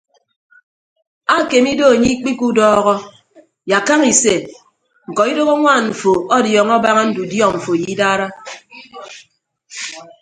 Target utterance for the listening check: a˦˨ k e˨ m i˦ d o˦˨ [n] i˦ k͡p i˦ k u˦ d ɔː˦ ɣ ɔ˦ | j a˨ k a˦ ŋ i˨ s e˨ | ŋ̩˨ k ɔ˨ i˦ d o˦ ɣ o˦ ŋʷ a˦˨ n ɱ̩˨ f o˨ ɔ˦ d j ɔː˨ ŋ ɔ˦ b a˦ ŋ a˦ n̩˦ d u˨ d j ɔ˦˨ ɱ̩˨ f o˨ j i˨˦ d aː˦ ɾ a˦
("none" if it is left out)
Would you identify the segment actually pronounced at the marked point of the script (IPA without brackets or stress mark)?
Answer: ɲ